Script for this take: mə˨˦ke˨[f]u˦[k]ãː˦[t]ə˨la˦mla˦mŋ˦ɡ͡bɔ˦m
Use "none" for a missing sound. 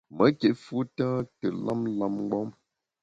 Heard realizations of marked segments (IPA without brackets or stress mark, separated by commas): f, t, t